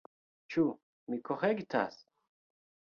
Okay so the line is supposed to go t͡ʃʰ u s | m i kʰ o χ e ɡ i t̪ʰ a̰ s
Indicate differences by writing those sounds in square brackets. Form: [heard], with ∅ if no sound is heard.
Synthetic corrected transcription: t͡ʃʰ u [∅] | m i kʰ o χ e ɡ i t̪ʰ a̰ s